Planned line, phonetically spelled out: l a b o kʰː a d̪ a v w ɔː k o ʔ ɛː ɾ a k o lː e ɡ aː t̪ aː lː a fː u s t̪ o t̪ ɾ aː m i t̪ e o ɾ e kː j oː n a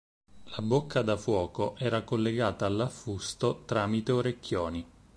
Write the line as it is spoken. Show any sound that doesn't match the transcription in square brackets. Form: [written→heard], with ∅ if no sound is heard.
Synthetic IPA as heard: l a b o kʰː a d̪ a [v→f] w ɔː k o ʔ ɛː ɾ a k o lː e ɡ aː t̪ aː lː a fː u s t̪ o t̪ ɾ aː m i t̪ e o ɾ e kː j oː n [a→i]